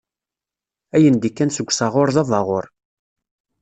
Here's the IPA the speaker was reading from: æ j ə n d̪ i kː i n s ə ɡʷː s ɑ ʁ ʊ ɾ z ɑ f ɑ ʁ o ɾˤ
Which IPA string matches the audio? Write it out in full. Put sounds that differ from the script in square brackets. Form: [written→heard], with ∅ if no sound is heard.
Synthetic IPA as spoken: æ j ə n d̪ i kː [i→æ] n s ə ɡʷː s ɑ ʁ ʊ ɾ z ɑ [f→v] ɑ ʁ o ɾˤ